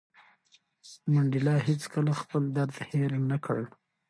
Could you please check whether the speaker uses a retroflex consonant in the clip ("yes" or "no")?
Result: yes